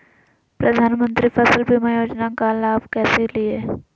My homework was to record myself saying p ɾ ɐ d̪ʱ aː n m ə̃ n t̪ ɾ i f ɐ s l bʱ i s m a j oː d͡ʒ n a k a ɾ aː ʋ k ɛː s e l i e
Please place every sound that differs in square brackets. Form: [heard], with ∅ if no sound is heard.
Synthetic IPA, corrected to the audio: p ɾ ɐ d̪ʱ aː n m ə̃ n t̪ ɾ i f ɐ s l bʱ i [∅] m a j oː d͡ʒ n a k a [l] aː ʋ k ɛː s e l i e